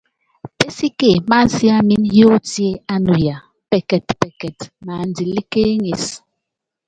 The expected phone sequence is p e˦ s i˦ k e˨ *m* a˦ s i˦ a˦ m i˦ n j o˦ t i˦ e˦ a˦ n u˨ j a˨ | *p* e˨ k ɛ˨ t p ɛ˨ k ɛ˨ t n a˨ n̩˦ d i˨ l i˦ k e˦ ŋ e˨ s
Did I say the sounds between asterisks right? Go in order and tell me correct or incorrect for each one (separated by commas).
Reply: correct, correct